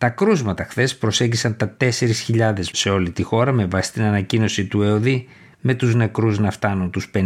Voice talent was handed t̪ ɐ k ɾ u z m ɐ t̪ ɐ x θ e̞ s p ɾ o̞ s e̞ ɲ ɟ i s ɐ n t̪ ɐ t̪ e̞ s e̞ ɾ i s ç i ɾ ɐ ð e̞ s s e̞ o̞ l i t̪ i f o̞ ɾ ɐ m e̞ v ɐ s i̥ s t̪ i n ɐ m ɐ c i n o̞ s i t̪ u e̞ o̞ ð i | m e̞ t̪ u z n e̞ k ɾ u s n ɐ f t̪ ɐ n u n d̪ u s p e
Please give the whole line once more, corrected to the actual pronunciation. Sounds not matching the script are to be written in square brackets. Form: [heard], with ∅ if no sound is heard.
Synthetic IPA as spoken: t̪ ɐ k ɾ u z m ɐ t̪ ɐ x θ e̞ s p ɾ o̞ s e̞ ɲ ɟ i s ɐ n t̪ ɐ t̪ e̞ s e̞ ɾ i s ç i [ʎ] ɐ ð e̞ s s e̞ o̞ l i t̪ i [x] o̞ ɾ ɐ m e̞ v ɐ s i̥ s t̪ i n ɐ [n] ɐ c i n o̞ s i t̪ u e̞ o̞ ð i | m e̞ t̪ u z n e̞ k ɾ u [z] n ɐ f t̪ ɐ n u n [t̪] u s p e